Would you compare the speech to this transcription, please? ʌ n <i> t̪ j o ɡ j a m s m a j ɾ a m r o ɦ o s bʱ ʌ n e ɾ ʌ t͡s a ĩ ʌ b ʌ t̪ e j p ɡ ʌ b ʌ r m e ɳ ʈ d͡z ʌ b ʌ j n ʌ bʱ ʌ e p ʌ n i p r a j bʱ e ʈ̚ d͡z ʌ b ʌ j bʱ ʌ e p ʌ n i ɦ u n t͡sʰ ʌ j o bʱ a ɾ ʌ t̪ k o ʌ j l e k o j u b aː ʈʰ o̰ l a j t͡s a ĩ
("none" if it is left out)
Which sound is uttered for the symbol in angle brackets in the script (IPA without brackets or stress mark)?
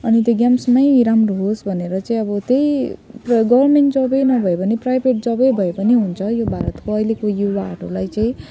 i